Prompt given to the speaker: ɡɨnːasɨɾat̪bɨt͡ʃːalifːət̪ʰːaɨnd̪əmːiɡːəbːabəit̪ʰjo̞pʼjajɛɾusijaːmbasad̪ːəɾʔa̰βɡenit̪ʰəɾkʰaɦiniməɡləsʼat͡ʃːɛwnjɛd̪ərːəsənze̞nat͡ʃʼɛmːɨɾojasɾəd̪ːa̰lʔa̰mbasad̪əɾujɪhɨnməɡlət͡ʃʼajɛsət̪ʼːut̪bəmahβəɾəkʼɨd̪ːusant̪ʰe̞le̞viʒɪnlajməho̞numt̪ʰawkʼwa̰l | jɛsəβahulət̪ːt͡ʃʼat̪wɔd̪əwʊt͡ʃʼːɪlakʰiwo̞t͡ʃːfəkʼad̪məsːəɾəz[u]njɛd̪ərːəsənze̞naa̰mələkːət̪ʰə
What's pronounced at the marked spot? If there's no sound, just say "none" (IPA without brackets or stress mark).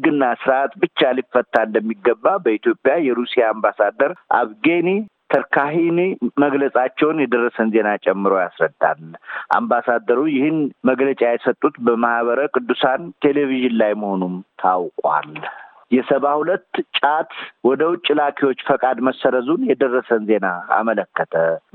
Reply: u